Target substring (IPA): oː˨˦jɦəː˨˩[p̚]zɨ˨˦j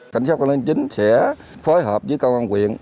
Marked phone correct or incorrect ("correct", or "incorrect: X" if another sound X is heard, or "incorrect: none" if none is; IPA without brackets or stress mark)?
correct